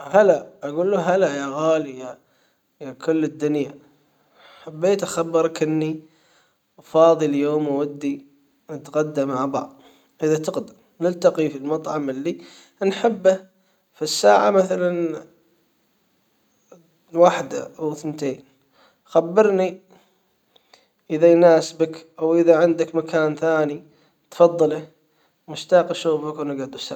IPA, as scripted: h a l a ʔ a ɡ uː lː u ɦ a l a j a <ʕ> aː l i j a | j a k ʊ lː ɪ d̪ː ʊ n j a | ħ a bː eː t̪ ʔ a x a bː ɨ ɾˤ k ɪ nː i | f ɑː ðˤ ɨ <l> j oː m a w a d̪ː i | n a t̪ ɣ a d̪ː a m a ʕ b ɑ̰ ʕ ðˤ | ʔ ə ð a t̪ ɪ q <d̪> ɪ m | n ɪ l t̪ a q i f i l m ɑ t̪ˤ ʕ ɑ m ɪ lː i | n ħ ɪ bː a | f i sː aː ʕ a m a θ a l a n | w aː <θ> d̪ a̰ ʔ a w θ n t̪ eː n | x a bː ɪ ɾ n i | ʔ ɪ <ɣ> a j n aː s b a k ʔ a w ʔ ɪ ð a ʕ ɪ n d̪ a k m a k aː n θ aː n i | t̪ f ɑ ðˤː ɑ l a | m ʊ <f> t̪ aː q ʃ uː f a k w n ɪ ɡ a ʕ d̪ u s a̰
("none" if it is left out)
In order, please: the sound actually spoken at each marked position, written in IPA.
ɣ, l, d̪, ħ, ð, ʃ

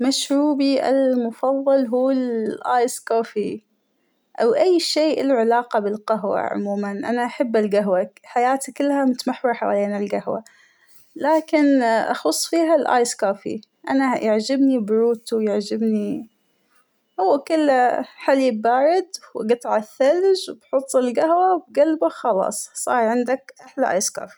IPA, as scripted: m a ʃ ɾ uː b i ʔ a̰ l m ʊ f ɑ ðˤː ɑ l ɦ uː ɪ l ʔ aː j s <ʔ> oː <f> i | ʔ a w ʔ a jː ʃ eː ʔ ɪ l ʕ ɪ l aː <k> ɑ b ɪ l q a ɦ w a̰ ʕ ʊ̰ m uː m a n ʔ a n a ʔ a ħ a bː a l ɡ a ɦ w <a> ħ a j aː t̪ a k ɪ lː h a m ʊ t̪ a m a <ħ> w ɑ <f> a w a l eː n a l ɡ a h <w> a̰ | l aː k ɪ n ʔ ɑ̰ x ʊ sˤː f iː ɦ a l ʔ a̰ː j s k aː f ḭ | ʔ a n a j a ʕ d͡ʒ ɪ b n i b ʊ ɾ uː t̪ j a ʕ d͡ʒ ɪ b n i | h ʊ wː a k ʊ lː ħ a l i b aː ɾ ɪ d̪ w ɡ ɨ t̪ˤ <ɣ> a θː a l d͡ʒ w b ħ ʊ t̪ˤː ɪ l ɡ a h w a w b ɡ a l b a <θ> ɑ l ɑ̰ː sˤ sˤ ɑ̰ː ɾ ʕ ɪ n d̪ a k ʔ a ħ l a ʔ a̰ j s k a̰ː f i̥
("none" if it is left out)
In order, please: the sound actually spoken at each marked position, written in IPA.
k, f, q, a, ħ, ħ, w, ʕ, x

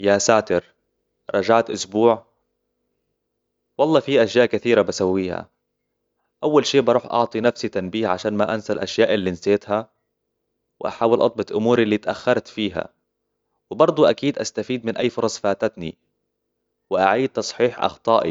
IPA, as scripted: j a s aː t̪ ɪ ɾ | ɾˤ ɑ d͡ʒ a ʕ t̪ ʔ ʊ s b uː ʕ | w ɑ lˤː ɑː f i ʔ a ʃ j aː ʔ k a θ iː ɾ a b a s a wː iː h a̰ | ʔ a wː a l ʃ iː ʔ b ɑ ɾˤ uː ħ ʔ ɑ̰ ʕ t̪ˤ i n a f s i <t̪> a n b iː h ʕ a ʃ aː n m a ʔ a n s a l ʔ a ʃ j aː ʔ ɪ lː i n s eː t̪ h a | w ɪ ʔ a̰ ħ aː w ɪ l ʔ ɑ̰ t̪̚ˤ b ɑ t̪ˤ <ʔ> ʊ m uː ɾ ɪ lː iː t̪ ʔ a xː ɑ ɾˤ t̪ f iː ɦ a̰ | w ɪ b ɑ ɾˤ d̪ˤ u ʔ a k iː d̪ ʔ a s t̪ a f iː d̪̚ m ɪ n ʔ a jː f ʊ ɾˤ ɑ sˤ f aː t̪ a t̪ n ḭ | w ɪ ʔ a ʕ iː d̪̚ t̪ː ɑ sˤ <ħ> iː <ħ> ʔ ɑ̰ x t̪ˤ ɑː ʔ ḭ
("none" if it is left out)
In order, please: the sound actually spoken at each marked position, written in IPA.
t̪, ʔ, ħ, ħ

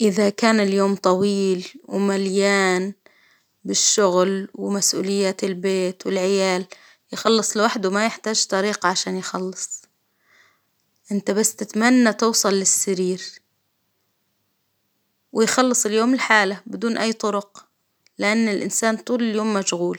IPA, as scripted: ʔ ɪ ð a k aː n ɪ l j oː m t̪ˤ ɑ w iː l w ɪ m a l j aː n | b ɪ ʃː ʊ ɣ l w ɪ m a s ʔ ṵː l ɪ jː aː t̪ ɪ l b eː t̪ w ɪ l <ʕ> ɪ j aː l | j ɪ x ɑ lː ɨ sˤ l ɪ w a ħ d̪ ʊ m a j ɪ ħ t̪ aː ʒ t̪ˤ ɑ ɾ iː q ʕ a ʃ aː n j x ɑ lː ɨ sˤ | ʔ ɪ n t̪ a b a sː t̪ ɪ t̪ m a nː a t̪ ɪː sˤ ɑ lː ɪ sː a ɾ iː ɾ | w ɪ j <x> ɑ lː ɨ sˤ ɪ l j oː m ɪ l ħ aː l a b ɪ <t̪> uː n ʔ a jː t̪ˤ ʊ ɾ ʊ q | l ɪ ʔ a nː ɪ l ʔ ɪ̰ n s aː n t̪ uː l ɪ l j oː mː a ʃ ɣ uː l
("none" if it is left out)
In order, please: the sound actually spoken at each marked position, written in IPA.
ʕ, x, d̪

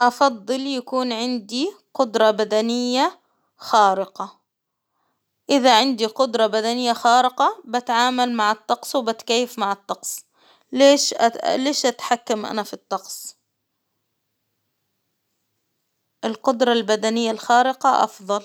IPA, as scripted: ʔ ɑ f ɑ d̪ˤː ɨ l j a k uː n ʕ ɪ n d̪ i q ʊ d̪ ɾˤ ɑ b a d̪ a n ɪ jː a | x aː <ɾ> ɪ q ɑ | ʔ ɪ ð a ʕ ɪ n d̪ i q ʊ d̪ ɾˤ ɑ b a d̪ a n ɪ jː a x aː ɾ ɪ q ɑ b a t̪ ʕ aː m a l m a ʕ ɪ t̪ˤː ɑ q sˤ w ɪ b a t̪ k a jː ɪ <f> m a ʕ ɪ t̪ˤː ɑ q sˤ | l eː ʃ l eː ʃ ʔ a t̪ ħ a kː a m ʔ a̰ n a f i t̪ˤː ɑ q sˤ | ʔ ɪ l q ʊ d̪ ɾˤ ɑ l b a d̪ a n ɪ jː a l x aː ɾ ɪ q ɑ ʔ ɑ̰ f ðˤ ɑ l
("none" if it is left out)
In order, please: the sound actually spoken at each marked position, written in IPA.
ɾ, f

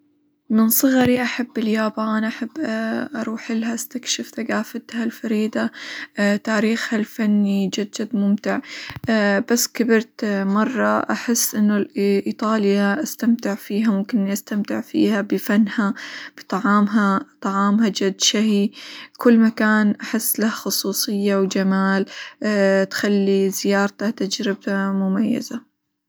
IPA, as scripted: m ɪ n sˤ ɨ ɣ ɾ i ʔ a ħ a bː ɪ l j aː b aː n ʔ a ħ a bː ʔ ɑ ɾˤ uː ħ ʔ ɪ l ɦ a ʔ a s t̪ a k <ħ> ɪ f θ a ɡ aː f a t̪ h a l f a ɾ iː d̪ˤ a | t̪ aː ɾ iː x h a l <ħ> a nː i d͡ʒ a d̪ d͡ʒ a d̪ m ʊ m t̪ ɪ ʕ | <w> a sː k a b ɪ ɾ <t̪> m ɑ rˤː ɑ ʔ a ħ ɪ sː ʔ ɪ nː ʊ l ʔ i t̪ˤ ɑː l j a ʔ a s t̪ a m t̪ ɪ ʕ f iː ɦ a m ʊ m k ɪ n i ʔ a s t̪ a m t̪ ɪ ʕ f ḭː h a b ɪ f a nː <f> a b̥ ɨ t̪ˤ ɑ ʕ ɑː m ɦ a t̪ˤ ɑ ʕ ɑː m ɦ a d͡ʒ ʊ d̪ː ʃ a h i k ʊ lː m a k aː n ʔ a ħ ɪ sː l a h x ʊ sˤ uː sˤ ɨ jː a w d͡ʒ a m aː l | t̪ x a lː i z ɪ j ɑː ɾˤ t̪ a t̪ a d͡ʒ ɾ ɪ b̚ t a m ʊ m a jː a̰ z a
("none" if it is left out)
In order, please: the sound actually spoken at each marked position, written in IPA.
ʃ, f, b, t̪, h

